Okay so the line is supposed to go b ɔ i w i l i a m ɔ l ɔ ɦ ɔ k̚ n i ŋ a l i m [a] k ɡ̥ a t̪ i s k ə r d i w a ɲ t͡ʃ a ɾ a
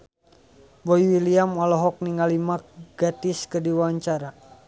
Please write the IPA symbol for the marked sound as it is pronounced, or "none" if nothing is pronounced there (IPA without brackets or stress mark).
a